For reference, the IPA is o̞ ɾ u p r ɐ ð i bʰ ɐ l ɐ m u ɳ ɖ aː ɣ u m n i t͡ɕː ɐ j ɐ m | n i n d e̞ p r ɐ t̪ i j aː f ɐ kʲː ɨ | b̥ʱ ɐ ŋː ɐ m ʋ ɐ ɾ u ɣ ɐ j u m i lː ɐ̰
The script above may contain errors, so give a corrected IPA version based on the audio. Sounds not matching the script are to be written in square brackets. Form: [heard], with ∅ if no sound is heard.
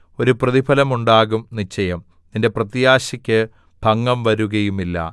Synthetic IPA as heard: o̞ ɾ u p r ɐ ð i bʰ ɐ l ɐ m u ɳ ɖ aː ɣ u m n i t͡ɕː ɐ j ɐ m | n i n d e̞ p r ɐ t̪ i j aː [ɕ] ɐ kʲː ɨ | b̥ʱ ɐ ŋː ɐ m ʋ ɐ ɾ u ɣ ɐ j u m i lː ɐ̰